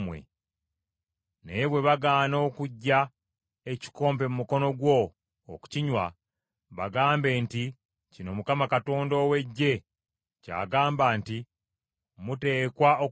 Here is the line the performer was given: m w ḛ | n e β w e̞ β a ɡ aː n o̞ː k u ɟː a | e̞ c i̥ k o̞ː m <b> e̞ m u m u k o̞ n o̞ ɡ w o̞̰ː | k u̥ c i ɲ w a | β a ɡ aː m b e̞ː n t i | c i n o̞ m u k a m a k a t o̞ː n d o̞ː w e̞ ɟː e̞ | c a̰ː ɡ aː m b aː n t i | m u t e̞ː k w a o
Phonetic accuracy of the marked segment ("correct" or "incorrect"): incorrect